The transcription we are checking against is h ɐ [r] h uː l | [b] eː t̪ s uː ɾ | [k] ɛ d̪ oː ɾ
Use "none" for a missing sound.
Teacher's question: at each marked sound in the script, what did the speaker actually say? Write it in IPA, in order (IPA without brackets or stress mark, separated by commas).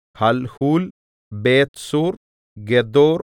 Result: l, b, ɡ